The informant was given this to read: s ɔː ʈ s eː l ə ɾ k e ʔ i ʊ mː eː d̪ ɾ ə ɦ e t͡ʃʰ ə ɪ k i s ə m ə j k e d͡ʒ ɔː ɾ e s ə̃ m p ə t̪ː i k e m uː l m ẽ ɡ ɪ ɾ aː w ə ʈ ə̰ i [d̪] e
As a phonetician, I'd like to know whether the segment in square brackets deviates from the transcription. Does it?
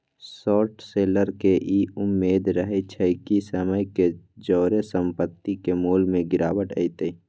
yes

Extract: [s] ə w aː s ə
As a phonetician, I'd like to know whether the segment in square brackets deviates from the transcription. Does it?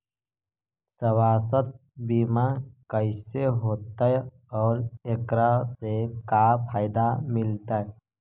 no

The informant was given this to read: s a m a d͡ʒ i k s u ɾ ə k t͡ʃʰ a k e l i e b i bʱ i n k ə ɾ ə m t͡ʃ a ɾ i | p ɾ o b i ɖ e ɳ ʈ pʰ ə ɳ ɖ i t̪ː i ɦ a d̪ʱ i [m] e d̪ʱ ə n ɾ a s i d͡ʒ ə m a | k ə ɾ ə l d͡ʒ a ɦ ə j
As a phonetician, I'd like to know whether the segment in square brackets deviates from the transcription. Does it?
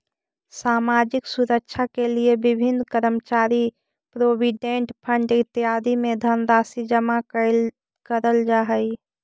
no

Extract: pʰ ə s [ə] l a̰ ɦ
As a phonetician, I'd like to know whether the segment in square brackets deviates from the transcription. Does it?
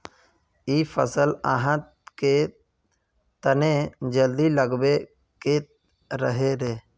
no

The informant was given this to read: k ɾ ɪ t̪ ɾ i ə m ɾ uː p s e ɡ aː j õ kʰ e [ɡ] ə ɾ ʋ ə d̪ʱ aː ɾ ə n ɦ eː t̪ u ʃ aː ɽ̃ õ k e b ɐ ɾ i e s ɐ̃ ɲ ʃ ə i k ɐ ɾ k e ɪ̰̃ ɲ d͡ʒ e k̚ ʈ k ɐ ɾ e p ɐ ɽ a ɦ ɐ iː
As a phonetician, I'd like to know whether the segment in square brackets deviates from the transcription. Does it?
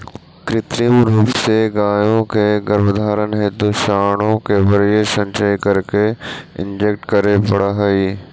no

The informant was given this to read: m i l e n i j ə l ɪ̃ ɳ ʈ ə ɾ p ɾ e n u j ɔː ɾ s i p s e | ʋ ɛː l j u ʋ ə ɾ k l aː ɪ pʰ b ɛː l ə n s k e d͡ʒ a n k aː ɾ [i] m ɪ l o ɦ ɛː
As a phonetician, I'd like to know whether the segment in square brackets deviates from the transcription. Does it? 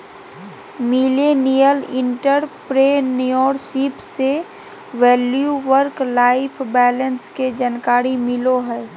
no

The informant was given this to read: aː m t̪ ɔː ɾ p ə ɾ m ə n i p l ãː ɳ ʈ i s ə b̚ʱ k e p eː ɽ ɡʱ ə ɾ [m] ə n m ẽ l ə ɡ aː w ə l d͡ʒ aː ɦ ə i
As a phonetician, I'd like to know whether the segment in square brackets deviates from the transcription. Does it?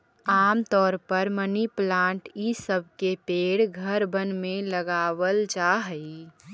yes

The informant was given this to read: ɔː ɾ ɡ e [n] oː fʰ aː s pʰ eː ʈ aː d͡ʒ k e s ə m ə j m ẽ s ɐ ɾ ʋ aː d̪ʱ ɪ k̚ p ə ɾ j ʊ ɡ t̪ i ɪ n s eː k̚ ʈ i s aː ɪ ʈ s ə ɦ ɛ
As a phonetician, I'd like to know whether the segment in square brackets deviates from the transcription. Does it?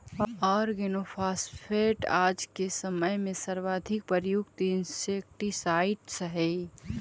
no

